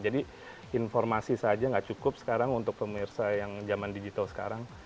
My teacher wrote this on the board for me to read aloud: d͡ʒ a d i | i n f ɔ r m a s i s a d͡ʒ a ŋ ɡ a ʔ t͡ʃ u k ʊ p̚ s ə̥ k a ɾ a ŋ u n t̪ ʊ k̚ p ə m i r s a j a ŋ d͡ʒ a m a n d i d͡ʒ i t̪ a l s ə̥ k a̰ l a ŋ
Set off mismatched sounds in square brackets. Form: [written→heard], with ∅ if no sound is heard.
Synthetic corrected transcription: d͡ʒ a d i | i n f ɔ r m a s i s a d͡ʒ a ŋ ɡ a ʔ t͡ʃ u k ʊ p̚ s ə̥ k a ɾ a ŋ u n t̪ ʊ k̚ p ə m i r s a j a ŋ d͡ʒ a m a n d i d͡ʒ i t̪ a l s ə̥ k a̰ [l→ɾ] a ŋ